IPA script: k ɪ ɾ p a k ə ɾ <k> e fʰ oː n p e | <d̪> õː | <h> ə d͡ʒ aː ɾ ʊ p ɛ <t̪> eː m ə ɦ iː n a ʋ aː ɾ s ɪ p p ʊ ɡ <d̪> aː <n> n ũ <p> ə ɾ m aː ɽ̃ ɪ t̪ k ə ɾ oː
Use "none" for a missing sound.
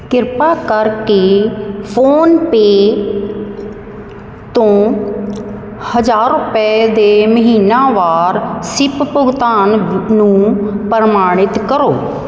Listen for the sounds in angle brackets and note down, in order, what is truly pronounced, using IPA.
k, t̪, h, d̪, t̪, n, p

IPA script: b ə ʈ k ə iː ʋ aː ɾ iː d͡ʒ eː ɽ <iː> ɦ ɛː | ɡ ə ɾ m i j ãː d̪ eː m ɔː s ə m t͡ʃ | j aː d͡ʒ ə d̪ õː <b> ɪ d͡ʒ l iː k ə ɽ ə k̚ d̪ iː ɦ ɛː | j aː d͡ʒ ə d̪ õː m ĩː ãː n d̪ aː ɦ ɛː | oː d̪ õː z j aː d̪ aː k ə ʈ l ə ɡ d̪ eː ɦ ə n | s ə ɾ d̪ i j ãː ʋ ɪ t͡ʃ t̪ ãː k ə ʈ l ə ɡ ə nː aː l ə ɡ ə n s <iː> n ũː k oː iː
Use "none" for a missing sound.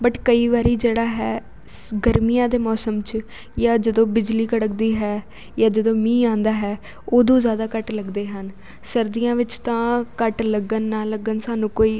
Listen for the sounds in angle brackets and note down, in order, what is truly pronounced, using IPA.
aː, b, aː

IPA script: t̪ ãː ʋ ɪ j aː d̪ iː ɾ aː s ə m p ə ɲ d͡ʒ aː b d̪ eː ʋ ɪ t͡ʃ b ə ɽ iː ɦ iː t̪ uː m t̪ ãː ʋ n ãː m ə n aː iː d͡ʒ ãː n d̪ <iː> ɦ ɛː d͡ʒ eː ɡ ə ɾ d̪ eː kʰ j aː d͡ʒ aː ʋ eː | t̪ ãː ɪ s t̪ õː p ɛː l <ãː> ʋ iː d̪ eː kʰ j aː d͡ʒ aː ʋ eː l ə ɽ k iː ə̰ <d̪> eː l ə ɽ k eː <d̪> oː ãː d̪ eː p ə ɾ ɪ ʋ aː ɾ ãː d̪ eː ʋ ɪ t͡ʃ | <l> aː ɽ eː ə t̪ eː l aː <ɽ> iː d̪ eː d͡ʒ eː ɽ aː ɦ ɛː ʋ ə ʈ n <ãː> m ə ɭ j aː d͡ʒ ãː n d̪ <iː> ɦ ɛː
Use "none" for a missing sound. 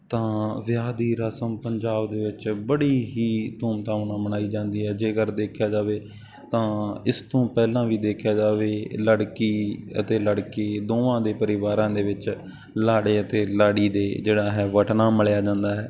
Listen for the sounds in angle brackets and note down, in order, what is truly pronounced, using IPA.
iː, ãː, t̪, d̪, l, ɽ, aː, aː

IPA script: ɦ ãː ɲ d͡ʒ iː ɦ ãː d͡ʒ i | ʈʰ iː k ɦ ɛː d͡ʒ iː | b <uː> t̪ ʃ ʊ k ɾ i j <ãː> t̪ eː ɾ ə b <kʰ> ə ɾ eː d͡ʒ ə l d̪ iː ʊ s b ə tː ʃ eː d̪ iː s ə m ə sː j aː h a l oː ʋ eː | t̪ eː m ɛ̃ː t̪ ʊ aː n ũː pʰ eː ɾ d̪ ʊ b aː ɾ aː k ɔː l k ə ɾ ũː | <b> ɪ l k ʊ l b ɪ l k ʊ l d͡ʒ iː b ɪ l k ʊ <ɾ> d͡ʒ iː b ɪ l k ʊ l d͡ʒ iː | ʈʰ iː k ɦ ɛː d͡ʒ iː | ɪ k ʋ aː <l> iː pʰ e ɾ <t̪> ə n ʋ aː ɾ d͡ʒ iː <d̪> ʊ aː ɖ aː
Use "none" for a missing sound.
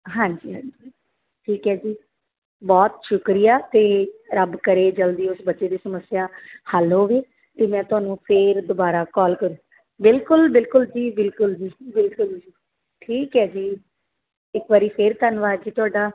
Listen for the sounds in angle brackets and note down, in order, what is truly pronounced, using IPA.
ɔː, aː, k, b, l, ɾ, t̪, t̪

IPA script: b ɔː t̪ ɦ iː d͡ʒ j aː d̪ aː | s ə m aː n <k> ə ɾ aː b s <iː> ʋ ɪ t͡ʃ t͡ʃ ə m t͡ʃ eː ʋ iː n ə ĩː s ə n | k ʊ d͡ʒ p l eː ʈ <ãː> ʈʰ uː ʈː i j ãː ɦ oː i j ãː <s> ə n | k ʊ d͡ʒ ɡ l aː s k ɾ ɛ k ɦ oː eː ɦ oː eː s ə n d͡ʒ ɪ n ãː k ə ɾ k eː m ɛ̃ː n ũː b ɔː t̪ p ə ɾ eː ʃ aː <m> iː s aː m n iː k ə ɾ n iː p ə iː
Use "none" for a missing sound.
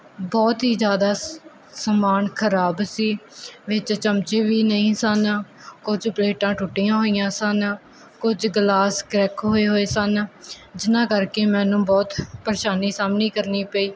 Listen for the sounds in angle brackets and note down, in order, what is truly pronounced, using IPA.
kʰ, iː, ãː, s, n

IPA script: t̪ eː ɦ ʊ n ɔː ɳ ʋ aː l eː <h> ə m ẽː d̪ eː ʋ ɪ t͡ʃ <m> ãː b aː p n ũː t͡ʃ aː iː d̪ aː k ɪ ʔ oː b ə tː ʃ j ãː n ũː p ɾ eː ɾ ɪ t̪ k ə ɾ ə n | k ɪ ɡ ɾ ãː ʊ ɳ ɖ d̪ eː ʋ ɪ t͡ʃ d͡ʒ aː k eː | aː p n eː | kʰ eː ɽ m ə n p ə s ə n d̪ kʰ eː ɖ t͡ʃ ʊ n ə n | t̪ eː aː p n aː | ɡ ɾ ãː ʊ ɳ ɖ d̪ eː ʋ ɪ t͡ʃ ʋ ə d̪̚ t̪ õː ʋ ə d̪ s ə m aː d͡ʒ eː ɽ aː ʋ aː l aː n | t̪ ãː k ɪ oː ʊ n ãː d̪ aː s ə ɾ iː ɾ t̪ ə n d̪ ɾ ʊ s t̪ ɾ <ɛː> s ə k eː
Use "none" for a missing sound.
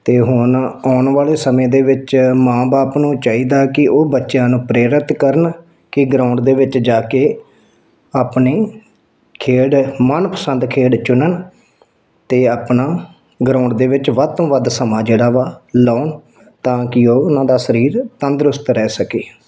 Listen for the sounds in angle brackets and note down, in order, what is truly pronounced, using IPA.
s, m, ɛː

